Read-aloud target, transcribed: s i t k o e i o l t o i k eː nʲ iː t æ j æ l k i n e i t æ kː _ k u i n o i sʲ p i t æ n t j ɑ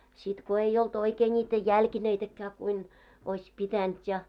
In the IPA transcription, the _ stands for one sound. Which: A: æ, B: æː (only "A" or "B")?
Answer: B